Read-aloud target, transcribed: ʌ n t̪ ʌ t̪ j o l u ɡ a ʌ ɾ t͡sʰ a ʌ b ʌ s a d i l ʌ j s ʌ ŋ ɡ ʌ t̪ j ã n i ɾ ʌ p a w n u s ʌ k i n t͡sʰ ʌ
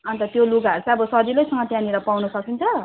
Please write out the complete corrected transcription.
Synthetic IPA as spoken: ʌ n t̪ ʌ t̪ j o l u ɡ a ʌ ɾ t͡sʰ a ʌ b ʌ s ʌ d i l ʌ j s ʌ ŋ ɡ ʌ t̪ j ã n i ɾ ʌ p a w n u s ʌ k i n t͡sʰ ʌ